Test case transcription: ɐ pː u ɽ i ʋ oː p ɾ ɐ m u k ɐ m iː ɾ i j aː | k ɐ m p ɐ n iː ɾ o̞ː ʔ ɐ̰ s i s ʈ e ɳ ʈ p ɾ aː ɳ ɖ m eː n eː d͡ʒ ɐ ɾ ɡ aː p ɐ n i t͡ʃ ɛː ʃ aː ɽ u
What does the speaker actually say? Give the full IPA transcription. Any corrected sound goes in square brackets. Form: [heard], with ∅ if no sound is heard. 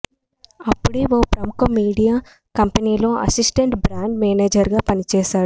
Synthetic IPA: ɐ pː u ɽ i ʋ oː p ɾ ɐ m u k ɐ m iː [ɽ] i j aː | k ɐ m p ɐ n iː [l] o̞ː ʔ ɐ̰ s i s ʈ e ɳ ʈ [b] ɾ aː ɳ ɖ m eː n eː d͡ʒ ɐ ɾ ɡ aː p ɐ n i t͡ʃ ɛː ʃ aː ɽ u